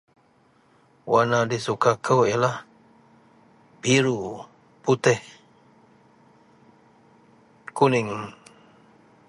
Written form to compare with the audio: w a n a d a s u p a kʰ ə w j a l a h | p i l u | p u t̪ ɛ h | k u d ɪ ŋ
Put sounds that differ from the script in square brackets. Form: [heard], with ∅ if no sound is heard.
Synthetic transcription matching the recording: w a n a d [i] s u [k] a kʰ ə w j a l a h | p i [ɾ] u | p u t̪ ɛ h | k u [n] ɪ ŋ